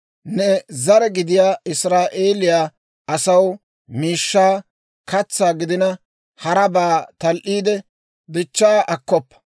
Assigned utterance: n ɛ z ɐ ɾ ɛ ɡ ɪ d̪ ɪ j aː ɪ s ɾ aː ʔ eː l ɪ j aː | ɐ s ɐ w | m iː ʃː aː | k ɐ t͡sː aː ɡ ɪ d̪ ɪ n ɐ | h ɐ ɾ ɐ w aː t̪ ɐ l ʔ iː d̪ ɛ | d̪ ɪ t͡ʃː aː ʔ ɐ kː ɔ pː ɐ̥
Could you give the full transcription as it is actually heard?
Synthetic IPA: n ɛ z ɐ ɾ ɛ ɡ ɪ d̪ ɪ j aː ɪ s ɾ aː ʔ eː l ɪ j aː | ɐ s ɐ w | m iː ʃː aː | k ɐ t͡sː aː ɡ ɪ d̪ ɪ n ɐ | h ɐ ɾ ɐ b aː t̪ ɐ l ʔ iː d̪ ɛ | d̪ ɪ t͡ʃː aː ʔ ɐ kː ɔ pː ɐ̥